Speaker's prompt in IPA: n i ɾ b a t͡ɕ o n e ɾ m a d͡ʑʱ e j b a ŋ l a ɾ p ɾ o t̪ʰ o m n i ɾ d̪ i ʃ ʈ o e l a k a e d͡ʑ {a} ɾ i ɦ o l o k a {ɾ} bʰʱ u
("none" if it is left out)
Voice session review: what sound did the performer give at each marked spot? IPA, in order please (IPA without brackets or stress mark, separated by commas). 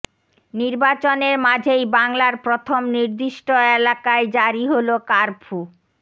a, ɾ